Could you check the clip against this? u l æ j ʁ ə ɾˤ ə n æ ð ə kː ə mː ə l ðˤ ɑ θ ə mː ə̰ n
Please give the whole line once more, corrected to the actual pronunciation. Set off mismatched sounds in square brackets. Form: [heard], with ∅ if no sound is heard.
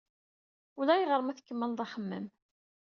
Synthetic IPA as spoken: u l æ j ʁ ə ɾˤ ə [m] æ [θ] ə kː ə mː ə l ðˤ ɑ [χ] ə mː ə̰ [m]